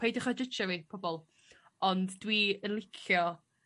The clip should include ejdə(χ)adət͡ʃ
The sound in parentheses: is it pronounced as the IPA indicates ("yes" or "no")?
yes